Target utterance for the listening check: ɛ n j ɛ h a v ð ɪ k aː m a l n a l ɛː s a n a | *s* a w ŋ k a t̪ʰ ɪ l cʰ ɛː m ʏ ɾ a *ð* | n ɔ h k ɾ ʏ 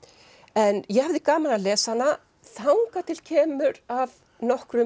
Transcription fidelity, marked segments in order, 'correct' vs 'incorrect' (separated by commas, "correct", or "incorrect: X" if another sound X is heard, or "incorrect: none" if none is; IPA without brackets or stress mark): incorrect: θ, incorrect: v